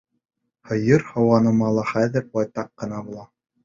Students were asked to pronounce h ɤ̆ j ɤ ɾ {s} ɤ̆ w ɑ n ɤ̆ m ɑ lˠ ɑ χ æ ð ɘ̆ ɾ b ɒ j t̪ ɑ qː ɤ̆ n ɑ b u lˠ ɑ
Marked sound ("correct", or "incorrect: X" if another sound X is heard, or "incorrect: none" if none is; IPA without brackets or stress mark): incorrect: h